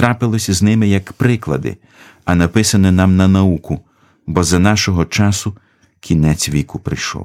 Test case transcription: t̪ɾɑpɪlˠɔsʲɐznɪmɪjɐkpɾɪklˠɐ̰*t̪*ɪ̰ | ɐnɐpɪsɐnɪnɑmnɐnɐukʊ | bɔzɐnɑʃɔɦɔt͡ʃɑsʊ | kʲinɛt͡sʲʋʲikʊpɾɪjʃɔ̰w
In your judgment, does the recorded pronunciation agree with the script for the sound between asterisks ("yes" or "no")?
no